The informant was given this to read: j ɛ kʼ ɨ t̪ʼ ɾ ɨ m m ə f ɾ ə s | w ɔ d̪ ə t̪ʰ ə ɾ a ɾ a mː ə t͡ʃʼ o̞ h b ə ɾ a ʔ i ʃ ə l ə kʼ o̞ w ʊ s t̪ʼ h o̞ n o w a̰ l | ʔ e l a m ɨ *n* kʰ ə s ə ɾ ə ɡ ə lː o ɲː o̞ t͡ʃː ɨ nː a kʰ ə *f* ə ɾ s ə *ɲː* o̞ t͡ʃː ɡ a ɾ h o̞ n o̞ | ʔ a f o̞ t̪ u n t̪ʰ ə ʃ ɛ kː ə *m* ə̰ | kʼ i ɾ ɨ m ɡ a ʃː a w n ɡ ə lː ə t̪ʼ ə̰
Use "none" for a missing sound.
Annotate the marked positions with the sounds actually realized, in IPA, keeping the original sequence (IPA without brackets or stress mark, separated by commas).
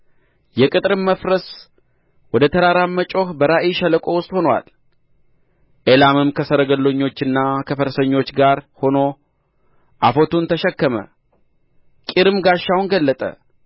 m, f, ɲː, m